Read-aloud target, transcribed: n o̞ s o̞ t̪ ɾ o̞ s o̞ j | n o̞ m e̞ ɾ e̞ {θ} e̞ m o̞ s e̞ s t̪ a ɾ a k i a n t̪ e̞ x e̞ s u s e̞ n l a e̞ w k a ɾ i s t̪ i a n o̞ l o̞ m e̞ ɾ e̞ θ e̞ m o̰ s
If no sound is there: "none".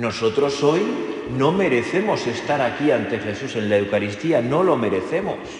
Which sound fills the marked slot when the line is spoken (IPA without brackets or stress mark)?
θ